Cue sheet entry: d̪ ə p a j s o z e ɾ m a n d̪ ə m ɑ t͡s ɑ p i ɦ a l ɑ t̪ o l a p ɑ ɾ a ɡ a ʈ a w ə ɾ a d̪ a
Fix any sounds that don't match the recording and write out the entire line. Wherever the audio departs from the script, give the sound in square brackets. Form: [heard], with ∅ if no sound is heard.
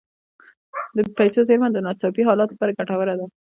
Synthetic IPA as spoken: d̪ ə p a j s o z e ɾ m a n d̪ ə [n] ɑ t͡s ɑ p i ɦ [ɑ] l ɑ t̪ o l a p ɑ ɾ a ɡ a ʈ a w ə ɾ a d̪ a